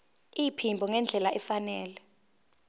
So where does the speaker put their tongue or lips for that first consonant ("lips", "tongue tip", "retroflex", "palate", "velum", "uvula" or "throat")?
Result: lips